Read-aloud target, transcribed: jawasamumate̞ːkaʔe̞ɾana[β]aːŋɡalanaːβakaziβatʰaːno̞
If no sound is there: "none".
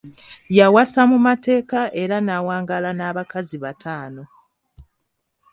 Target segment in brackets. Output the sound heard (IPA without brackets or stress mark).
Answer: w